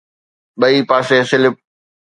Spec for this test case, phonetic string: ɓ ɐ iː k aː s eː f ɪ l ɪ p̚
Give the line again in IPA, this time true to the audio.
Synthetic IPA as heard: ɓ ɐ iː p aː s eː s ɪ l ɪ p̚